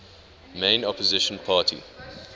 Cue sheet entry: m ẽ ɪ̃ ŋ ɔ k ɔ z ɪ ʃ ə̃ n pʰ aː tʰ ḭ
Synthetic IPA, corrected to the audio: m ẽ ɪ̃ n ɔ p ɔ z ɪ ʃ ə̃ n pʰ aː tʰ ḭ